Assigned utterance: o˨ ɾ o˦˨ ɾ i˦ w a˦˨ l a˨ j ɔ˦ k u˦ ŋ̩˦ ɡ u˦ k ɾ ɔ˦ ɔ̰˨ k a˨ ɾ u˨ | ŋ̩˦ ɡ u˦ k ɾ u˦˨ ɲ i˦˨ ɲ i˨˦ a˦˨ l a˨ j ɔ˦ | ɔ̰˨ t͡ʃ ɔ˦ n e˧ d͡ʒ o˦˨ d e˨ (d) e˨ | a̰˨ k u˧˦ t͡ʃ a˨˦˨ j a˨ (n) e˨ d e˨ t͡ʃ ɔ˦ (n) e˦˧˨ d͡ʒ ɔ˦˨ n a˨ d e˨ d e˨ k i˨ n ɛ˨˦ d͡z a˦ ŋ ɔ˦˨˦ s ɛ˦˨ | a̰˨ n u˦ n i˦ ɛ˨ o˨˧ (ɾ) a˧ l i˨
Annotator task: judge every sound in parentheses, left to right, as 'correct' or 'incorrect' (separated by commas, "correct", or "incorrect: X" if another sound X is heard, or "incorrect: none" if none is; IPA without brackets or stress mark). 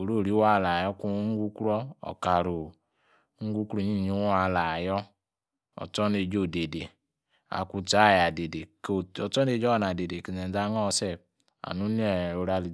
correct, incorrect: d, correct, correct